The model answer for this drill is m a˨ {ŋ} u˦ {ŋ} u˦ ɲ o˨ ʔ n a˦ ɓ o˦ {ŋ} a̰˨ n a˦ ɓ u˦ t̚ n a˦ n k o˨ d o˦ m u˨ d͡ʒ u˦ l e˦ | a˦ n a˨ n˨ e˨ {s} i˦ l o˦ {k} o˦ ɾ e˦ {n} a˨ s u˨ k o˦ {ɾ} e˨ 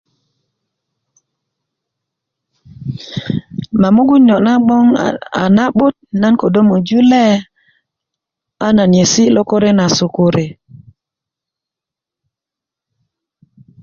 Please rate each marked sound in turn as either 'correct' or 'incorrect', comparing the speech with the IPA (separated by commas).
incorrect, incorrect, correct, correct, correct, correct, correct